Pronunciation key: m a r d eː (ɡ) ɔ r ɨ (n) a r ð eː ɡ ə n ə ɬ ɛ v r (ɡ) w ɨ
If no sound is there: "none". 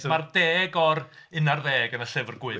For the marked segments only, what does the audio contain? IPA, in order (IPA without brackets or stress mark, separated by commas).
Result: ɡ, n, ɡ